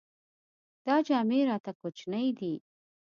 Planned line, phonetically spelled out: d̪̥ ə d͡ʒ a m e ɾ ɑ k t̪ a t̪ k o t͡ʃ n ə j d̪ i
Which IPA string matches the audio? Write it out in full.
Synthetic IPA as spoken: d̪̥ ɑ d͡ʒ ɑ m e ɾ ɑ t̪ a k o t͡ʃ n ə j d̪ i